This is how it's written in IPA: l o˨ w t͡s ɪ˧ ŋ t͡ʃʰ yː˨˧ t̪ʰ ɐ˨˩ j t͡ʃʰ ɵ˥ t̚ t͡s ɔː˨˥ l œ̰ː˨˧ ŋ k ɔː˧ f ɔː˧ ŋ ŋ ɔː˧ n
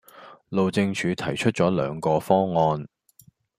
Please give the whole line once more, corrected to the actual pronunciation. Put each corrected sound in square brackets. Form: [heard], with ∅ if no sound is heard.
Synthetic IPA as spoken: l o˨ w t͡s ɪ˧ ŋ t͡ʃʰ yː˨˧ t̪ʰ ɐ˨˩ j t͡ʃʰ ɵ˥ t̚ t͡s ɔː˨˥ l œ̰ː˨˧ ŋ k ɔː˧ f [ɔː˥] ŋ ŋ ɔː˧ n